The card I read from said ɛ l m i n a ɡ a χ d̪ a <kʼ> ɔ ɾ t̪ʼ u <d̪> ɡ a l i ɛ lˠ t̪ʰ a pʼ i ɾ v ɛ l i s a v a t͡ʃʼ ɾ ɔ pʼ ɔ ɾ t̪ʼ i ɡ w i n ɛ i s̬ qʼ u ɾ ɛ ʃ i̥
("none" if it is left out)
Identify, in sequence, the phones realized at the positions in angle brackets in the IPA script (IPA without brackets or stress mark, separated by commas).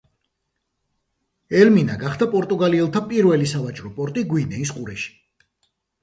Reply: pʼ, none